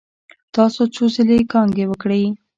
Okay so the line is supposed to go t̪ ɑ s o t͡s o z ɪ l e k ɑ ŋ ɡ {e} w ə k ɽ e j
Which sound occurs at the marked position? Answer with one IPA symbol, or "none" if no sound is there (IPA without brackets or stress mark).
e